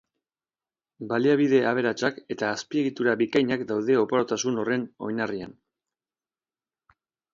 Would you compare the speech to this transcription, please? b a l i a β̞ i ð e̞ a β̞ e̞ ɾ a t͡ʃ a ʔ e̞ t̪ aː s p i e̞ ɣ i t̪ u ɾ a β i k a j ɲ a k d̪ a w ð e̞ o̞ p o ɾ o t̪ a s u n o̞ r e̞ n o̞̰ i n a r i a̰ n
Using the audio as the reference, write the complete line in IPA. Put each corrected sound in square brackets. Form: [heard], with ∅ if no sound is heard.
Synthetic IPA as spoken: b a l i a β̞ i ð e̞ a β̞ e̞ ɾ a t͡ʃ a [k] e̞ t̪ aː s p i e̞ ɣ i t̪ u ɾ a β i k a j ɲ a k d̪ a w ð e̞ o̞ p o ɾ o t̪ a s u n o̞ r e̞ n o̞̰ [j] n a r i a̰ n